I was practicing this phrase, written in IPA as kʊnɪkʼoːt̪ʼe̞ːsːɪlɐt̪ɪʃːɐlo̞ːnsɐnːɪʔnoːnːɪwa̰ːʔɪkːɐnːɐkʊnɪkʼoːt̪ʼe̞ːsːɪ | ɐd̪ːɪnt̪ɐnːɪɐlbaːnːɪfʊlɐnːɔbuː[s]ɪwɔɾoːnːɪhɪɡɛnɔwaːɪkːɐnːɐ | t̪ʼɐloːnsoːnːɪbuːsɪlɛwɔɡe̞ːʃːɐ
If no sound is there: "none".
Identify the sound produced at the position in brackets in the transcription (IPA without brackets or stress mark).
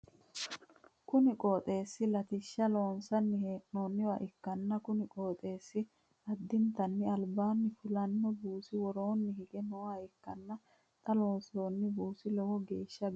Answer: s